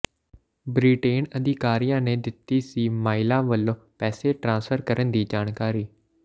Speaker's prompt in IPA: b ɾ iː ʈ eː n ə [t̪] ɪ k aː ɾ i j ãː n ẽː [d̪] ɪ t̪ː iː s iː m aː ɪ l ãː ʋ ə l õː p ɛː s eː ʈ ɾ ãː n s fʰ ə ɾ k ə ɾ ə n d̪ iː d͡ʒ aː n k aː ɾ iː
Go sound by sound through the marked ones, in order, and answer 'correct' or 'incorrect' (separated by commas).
incorrect, correct